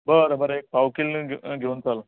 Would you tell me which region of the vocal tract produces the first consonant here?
lips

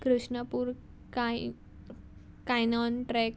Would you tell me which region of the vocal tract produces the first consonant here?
velum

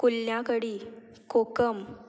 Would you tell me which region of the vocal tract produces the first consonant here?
velum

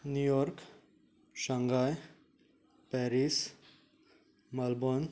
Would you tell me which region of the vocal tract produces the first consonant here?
tongue tip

